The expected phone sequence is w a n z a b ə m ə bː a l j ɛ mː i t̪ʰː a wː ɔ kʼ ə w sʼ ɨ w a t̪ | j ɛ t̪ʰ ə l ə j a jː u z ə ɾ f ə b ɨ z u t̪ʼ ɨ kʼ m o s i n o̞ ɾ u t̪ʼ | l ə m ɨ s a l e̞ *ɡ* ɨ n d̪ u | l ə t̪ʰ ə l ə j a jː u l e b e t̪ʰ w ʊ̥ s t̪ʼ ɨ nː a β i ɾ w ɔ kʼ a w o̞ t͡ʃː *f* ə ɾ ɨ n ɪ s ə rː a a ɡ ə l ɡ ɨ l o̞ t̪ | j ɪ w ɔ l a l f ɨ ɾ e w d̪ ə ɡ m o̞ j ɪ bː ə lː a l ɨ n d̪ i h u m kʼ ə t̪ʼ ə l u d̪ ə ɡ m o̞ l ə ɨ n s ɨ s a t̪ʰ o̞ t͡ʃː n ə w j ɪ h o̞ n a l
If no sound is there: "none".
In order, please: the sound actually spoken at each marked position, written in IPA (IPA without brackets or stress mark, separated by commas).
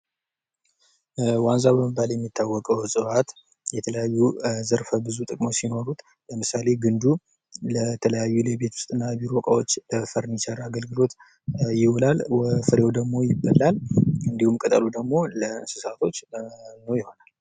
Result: ɡ, f